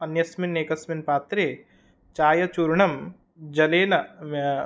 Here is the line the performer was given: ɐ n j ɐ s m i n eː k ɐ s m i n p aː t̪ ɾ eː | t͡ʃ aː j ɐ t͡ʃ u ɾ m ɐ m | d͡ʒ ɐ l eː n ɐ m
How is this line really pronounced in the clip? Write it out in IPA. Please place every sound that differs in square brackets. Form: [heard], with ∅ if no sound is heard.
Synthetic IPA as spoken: ɐ n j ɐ s m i n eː k ɐ s m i n p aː t̪ ɾ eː | t͡ʃ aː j ɐ t͡ʃ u ɾ [ɳ] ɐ m | d͡ʒ ɐ l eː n ɐ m